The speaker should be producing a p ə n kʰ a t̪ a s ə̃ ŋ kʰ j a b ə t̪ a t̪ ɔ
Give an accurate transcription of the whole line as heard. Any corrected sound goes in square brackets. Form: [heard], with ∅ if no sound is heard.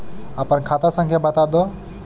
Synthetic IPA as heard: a p ə n kʰ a t̪ a s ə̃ ŋ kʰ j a b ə t̪ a [d̪] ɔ